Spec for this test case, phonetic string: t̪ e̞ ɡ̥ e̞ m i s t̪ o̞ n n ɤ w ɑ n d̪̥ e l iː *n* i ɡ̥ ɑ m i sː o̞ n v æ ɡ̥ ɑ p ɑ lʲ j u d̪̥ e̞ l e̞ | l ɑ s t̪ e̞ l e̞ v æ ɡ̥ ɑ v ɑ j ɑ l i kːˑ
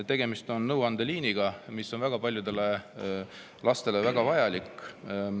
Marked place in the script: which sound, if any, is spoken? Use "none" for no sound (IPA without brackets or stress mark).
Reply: n